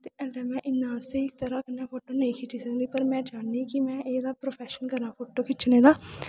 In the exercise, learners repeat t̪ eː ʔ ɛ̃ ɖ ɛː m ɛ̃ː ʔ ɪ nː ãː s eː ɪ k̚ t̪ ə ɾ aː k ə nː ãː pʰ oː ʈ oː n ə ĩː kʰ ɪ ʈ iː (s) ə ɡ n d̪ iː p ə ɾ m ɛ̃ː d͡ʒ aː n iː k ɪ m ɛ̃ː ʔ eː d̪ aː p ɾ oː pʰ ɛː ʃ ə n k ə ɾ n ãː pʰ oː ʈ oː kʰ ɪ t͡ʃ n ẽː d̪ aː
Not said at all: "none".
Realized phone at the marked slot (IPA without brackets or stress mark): s